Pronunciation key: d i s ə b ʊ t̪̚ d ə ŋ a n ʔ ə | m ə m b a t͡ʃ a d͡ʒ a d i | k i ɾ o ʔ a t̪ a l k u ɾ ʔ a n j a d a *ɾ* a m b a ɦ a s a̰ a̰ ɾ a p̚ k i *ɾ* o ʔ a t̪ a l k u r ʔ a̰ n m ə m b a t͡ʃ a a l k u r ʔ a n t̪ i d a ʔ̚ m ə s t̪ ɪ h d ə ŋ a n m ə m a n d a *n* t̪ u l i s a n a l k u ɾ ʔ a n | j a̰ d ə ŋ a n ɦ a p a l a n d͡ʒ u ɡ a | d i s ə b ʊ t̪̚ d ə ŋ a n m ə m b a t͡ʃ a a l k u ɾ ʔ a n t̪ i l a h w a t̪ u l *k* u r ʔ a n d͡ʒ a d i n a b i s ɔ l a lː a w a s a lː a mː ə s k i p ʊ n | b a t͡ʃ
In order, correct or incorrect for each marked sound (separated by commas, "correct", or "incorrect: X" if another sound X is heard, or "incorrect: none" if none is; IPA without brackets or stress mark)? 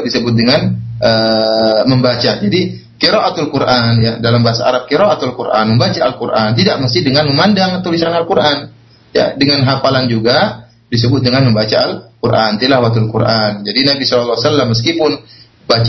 incorrect: l, correct, incorrect: ŋ, correct